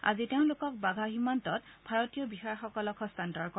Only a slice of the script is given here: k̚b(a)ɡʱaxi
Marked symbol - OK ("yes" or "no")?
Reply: yes